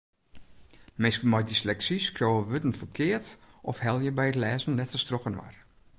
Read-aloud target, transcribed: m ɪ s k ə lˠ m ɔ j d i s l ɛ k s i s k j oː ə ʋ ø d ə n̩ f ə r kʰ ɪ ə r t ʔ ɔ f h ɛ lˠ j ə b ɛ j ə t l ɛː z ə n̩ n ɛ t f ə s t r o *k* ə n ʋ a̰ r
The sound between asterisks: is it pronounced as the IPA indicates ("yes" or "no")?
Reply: yes